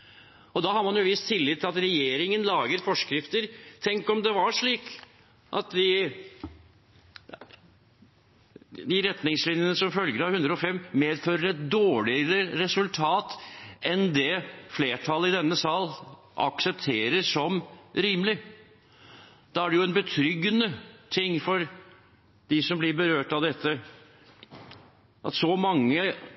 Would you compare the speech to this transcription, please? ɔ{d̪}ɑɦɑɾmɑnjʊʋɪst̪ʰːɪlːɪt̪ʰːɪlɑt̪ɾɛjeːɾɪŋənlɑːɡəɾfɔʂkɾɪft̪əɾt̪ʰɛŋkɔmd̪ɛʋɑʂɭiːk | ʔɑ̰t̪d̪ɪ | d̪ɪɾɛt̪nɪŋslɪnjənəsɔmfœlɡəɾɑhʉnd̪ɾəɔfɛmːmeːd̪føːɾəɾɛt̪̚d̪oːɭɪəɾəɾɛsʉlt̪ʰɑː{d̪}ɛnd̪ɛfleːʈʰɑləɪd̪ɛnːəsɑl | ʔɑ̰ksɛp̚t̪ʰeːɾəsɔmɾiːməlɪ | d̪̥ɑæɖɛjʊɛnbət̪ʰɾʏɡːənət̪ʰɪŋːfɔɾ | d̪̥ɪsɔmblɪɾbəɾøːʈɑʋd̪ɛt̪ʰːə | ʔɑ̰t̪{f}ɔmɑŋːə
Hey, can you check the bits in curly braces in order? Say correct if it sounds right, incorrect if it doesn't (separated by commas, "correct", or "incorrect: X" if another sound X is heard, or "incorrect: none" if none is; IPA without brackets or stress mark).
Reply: correct, incorrect: t̪, incorrect: s